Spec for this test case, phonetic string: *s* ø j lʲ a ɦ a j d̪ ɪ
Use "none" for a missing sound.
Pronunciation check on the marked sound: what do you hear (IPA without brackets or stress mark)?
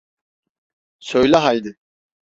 s